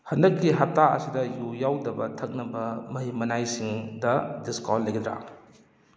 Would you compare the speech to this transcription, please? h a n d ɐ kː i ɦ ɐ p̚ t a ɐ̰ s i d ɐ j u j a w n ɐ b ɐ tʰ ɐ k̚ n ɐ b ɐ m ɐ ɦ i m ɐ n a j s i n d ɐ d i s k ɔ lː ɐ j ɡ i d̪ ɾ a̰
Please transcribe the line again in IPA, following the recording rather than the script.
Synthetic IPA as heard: h ɐ n d ɐ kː i ɦ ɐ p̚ t a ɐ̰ s i d ɐ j u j a w d ɐ b ɐ tʰ ɐ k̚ n ɐ b ɐ m ɐ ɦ i m ɐ n a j s i ŋ d ɐ d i s k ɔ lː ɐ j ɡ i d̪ ɾ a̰